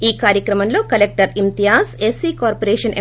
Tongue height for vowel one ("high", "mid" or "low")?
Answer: high